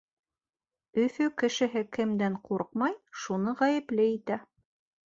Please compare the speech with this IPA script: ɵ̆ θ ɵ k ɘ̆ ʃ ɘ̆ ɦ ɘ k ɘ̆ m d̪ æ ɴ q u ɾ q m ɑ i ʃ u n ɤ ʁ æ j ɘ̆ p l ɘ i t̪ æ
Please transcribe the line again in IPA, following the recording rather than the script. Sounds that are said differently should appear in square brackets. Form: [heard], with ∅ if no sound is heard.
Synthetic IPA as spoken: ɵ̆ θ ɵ k ɘ̆ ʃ ɘ̆ ɦ ɘ k ɘ̆ m d̪ æ ɴ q u ɾ q m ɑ [j] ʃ u n ɤ ʁ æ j ɘ̆ p l ɘ i t̪ æ